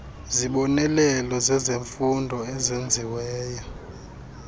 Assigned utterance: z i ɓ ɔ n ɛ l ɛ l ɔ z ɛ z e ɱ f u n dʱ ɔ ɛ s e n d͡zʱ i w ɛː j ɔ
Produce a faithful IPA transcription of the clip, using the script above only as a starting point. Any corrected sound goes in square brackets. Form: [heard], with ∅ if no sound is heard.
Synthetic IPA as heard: z i ɓ ɔ n ɛ l ɛ l ɔ z ɛ z e ɱ f u n dʱ ɔ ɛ [z] e n d͡zʱ i w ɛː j ɔ